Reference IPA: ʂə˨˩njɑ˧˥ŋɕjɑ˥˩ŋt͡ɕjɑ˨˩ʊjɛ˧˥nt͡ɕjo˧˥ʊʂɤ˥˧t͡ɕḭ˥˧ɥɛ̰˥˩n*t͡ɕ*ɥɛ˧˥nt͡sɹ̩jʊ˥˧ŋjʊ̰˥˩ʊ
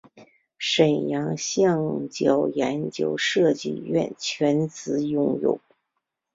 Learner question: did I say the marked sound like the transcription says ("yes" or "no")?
no